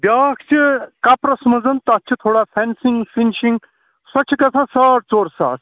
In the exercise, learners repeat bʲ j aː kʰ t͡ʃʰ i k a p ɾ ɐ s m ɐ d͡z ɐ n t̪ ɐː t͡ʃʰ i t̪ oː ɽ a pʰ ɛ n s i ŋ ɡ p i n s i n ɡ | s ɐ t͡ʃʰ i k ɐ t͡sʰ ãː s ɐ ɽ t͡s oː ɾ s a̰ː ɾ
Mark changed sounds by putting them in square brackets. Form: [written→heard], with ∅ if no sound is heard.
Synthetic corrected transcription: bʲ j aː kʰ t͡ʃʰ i k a p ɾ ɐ s m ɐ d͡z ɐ n t̪ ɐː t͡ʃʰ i [t̪→t̪ʰ] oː ɽ a pʰ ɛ n s i ŋ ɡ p i n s i [n→ŋ] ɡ | s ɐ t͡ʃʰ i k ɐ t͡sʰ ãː s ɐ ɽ t͡s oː ɾ s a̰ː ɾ